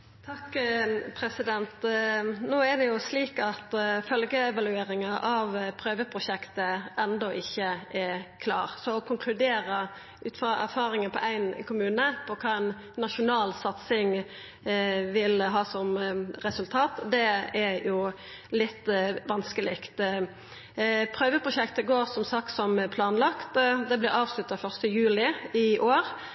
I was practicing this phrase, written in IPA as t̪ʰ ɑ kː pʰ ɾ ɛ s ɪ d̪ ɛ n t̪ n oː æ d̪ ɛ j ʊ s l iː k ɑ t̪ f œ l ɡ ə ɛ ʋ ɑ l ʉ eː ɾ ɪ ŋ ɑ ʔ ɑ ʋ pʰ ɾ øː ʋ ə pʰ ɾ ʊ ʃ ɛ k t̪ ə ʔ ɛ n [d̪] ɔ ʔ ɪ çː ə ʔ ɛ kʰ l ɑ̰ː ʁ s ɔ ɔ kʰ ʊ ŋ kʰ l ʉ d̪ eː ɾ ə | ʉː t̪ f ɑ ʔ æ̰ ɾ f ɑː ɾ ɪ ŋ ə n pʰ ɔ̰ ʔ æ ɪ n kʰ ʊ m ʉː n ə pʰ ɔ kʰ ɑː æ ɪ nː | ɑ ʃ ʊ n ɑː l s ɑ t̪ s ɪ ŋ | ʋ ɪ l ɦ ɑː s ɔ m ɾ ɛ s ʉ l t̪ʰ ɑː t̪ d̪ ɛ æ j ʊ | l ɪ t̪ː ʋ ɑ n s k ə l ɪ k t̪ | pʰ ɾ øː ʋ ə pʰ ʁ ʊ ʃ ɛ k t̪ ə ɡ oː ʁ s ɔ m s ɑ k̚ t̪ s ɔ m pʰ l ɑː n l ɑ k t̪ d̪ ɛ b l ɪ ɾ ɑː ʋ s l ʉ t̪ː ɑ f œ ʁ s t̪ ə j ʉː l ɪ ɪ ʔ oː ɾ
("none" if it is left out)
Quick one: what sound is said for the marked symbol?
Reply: d̪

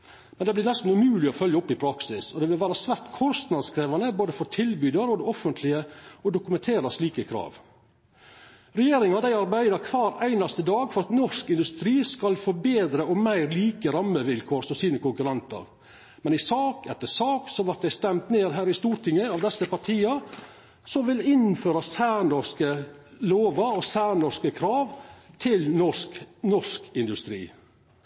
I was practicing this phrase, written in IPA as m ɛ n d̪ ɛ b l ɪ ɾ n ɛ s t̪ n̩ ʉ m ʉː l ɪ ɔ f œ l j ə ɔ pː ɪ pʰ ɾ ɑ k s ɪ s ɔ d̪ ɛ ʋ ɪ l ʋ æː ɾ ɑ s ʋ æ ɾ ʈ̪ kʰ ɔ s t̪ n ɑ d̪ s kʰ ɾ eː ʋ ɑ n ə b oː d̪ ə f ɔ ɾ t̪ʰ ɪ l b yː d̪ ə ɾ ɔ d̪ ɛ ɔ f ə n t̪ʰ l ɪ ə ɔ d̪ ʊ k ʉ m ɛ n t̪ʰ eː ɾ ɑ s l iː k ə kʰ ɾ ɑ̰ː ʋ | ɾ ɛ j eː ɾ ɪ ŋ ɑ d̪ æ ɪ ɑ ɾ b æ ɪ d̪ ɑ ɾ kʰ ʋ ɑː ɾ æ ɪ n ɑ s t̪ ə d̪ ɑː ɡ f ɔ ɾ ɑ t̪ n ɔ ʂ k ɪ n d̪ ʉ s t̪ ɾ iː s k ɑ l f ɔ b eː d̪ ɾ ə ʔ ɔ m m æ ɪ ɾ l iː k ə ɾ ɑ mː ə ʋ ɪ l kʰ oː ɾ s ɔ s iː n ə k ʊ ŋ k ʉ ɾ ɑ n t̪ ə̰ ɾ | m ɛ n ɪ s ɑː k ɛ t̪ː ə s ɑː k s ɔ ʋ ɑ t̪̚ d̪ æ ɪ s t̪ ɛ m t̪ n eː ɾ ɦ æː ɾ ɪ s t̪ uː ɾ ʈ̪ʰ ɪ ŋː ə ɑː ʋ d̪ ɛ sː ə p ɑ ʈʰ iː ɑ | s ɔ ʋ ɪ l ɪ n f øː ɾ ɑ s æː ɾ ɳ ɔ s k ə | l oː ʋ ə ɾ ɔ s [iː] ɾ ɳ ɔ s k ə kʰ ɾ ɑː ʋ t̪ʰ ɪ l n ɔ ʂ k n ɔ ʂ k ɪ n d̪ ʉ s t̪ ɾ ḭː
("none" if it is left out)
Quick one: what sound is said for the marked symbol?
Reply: æː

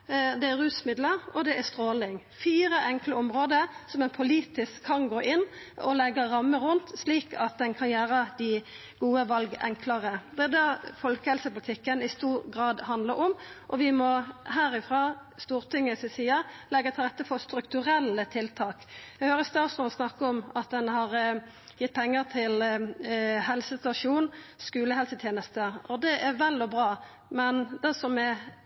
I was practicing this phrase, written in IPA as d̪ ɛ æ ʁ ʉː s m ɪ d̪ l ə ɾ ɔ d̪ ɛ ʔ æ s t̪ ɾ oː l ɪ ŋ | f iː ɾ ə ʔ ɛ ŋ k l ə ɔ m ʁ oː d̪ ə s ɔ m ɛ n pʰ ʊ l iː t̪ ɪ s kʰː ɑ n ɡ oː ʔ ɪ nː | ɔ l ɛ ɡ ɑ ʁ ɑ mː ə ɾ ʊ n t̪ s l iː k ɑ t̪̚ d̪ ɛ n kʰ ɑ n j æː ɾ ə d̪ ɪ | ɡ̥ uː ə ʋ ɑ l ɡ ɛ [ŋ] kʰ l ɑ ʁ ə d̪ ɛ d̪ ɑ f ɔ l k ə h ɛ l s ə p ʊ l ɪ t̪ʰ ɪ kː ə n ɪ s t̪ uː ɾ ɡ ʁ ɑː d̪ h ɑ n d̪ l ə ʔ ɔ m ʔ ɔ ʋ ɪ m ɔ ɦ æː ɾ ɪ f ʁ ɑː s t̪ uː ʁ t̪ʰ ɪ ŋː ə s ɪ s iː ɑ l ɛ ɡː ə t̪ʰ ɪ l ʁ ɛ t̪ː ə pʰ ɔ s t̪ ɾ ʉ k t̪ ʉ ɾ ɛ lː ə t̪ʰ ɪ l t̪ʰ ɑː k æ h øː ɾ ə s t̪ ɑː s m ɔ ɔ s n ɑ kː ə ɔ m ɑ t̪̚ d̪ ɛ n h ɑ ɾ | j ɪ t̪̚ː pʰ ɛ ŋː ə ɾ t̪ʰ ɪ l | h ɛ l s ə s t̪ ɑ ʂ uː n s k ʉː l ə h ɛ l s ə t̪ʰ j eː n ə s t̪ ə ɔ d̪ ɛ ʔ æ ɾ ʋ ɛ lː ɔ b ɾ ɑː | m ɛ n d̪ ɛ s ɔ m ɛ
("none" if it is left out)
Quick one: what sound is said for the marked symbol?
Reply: ŋ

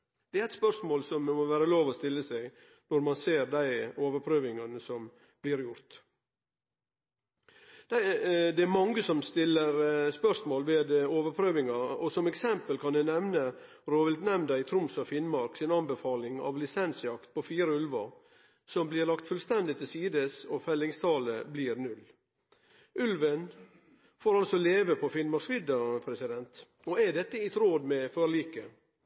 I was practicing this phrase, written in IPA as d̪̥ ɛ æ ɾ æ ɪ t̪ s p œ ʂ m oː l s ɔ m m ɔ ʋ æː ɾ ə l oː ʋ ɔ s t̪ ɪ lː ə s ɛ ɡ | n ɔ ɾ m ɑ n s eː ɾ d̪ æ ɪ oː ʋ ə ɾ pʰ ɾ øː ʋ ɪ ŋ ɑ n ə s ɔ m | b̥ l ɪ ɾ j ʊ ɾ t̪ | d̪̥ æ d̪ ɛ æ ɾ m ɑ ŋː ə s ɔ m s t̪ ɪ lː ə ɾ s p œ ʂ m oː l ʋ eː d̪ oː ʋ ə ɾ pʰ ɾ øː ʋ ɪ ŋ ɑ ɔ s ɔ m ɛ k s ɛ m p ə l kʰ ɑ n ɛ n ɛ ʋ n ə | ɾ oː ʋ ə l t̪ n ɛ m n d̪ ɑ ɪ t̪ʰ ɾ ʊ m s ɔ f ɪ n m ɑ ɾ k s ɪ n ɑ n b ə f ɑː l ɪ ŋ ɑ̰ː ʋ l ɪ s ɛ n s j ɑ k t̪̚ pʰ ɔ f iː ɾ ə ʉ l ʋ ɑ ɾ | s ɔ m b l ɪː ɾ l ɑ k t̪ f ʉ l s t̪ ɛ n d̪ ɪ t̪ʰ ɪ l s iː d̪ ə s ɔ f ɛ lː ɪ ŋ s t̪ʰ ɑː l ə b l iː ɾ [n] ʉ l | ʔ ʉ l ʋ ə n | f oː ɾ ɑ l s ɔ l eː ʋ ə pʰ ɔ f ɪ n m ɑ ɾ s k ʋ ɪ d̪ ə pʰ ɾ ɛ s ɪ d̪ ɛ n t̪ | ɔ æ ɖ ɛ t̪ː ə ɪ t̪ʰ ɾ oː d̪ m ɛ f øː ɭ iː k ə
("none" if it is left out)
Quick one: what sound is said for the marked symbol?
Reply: n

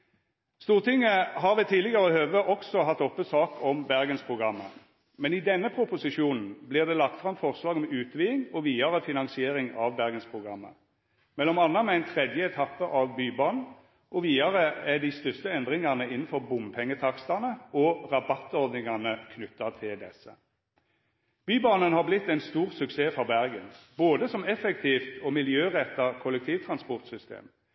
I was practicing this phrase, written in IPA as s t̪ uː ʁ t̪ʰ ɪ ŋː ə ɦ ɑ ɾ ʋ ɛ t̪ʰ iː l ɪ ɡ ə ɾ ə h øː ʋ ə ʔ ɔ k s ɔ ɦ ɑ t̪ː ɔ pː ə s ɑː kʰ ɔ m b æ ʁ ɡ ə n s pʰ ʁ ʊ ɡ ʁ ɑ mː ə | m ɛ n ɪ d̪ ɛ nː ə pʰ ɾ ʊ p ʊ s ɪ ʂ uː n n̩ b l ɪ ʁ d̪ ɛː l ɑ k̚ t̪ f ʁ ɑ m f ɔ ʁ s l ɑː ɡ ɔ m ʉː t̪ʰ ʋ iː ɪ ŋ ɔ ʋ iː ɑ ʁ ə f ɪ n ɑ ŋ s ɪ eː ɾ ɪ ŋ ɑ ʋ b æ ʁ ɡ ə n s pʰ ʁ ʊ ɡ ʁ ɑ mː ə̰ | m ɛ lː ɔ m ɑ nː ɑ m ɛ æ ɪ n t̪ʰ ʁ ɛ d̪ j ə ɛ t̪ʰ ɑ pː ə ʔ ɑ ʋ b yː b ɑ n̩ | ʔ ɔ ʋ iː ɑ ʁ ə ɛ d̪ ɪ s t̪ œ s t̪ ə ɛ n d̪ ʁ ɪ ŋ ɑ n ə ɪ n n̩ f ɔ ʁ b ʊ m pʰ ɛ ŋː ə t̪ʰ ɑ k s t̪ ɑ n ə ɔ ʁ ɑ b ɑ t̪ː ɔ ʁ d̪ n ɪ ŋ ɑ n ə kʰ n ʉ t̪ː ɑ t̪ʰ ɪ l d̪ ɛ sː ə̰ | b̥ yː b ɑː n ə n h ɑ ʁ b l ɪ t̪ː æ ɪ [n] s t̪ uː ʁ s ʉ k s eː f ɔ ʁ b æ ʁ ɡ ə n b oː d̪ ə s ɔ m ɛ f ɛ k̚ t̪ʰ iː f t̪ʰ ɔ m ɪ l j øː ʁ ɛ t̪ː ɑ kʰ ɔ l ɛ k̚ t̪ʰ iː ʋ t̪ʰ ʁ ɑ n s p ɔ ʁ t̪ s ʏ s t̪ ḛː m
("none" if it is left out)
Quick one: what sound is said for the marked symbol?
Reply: n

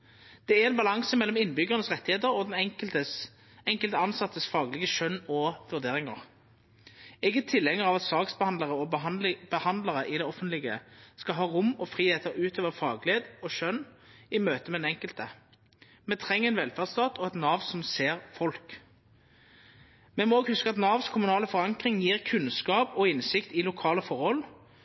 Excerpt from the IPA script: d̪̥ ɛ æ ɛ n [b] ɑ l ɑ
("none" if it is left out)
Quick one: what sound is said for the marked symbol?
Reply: b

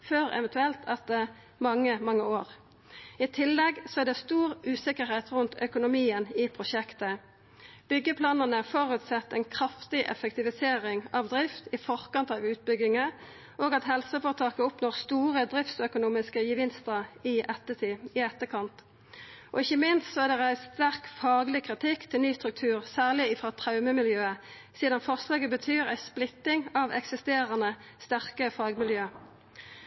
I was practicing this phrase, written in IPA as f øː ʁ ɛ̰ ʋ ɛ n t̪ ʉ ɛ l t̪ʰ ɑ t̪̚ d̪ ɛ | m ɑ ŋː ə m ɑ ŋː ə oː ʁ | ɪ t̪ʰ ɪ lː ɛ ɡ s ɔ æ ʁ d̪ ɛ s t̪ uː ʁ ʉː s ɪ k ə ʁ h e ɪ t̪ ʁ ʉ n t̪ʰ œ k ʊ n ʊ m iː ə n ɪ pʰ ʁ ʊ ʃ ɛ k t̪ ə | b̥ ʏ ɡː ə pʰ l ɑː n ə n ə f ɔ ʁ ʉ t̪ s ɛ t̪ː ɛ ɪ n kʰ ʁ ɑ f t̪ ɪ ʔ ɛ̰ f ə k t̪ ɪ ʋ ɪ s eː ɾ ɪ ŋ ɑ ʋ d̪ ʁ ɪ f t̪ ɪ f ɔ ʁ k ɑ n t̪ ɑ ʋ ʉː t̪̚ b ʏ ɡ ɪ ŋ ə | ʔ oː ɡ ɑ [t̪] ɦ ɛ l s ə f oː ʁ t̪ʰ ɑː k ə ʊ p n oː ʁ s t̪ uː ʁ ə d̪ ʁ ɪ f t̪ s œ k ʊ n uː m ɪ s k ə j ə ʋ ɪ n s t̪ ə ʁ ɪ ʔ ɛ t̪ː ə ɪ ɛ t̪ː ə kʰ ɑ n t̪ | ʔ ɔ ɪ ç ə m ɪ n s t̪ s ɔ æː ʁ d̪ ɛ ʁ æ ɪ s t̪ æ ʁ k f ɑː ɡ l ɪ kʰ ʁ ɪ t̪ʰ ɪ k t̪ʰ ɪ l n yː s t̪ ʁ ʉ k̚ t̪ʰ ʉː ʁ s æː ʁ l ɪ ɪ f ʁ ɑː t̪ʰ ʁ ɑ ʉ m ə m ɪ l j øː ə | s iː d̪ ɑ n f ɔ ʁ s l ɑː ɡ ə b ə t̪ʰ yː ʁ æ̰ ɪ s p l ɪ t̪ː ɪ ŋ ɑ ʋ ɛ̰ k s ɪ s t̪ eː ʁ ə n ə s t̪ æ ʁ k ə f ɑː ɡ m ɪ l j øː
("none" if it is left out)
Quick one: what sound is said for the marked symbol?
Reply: t̪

